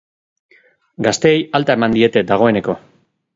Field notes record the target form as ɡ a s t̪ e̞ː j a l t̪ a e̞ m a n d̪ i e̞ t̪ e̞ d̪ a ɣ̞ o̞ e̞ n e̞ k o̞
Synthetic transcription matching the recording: ɡ a s t̪ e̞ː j a l t̪ a e̞ m a n d̪ i e̞ t̪ e̞ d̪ a ɣ̞ o̞ e̞ n e̞ k o̞

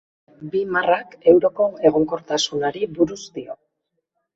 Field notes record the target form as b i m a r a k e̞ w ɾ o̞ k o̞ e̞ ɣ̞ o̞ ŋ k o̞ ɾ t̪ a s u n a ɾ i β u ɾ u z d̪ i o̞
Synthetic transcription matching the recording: b i m a r a k e̞ w ɾ o̞ k o̞ e̞ ɣ̞ o̞ ŋ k o̞ ɾ t̪ a s u n a ɾ i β u ɾ u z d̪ i o̞

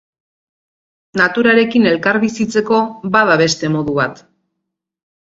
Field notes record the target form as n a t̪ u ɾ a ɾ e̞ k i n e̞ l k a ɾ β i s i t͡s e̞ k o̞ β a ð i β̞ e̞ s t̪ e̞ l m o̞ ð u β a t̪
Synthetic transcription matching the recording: n a t̪ u ɾ a ɾ e̞ k i n e̞ l k a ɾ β i s i t͡s e̞ k o̞ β a ð a β̞ e̞ s t̪ e̞ m o̞ ð u β a t̪

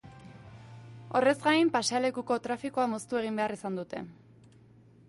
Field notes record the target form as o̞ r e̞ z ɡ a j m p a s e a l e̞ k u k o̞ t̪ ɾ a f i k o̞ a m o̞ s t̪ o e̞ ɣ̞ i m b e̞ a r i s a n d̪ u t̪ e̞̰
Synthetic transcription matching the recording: o̞ r e̞ z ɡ a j m p a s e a l e̞ k u k o̞ t̪ ɾ a f i k o̞ a m o̞ s t̪ u e̞ ɣ̞ i m b e̞ a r i s a n d̪ u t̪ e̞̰

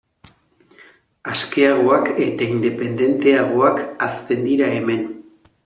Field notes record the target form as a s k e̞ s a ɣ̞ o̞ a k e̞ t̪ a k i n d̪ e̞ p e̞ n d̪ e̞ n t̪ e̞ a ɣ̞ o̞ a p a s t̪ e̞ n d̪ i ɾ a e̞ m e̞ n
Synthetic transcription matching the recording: a s k e̞ a ɣ̞ o̞ a k e̞ t̪ a i n d̪ e̞ p e̞ n d̪ e̞ n t̪ e̞ a ɣ̞ o̞ a k a s t̪ e̞ n d̪ i ɾ a e̞ m e̞ n

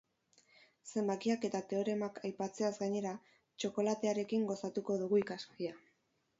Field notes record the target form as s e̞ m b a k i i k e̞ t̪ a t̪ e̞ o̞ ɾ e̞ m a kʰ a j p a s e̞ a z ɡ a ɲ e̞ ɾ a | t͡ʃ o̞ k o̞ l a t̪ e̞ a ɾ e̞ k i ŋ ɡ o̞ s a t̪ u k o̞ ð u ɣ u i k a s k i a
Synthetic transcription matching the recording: s e̞ m b a k i a k e̞ t̪ a t̪ e̞ o̞ ɾ e̞ m a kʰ a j p a t͡s e̞ a z ɡ a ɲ e̞ ɾ a | t͡ʃ o̞ k o̞ l a t̪ e̞ a ɾ e̞ k i ŋ ɡ o̞ s a t̪ u k o̞ ð u ɣ u i k a s k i a

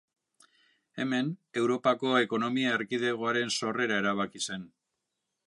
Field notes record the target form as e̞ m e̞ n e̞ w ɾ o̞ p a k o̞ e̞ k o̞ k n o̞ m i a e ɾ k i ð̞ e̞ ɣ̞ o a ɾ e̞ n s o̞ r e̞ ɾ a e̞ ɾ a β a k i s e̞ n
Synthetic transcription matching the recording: e̞ m e̞ n e̞ w ɾ o̞ p a k o̞ e̞ k o̞ n o̞ m i a e ɾ k i ð̞ e̞ ɣ̞ o a ɾ e̞ n s o̞ r e̞ ɾ a e̞ ɾ a β a k i s e̞ n

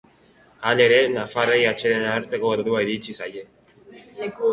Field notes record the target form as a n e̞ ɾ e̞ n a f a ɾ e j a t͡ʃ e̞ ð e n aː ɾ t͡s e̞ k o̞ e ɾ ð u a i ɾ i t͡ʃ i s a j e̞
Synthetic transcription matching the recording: a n e̞ ɾ e̞ n a f a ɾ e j a t͡ʃ e̞ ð e n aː ɾ t͡s e̞ k o̞ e ɾ ð u a i ɾ i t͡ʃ i s a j e̞

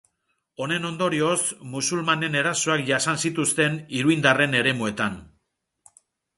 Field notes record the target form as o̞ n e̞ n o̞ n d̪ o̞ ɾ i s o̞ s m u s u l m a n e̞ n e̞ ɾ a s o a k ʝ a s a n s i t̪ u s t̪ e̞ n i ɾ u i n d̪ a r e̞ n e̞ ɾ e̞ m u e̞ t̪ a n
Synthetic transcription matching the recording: o̞ n e̞ n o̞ n d̪ o̞ ɾ i o̞ s m u s u l m a n e̞ n e̞ ɾ a s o a k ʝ a s a n s i t̪ u s t̪ e̞ n i ɾ u i n d̪ a r e̞ n e̞ ɾ e̞ m u e̞ t̪ a n

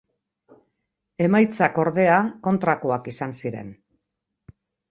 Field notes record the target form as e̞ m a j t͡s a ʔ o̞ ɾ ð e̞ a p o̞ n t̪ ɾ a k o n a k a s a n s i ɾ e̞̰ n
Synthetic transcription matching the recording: e̞ m a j t͡s a k o̞ ɾ ð e̞ a k o̞ n t̪ ɾ a k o a k i s a n s i ɾ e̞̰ n

